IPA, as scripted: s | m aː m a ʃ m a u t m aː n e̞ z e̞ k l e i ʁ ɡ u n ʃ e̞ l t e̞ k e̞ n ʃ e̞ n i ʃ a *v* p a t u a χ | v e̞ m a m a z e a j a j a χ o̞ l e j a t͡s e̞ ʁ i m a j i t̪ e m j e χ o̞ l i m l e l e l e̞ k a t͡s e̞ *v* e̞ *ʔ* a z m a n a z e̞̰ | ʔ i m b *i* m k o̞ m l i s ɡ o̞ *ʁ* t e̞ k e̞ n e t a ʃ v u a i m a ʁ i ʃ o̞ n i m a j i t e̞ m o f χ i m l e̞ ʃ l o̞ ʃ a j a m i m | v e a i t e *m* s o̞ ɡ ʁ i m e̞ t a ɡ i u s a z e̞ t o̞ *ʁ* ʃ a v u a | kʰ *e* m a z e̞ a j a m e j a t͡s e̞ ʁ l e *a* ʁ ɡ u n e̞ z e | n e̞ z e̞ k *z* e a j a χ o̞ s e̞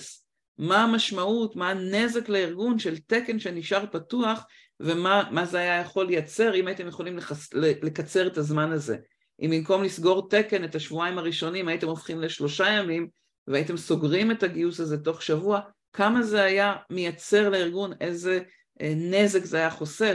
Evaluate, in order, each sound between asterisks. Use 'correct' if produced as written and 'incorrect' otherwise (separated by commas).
incorrect, incorrect, incorrect, correct, correct, correct, incorrect, incorrect, incorrect, correct